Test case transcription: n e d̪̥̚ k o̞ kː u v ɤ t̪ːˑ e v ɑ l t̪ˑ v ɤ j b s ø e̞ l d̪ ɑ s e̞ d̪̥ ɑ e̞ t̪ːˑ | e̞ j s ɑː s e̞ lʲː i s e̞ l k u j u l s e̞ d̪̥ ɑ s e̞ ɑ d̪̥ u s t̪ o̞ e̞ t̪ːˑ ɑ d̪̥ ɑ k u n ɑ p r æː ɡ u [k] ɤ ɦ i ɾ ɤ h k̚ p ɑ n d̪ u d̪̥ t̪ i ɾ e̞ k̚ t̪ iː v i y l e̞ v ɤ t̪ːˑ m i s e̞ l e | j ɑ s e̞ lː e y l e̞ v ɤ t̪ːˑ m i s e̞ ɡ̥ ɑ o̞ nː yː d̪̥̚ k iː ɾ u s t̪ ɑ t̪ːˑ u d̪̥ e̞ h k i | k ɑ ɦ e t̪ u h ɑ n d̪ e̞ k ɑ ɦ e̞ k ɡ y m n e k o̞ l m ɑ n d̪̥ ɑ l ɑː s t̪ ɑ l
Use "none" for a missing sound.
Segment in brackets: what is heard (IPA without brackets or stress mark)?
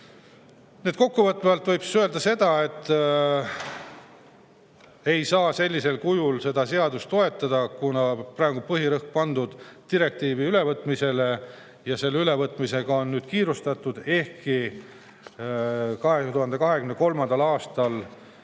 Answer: p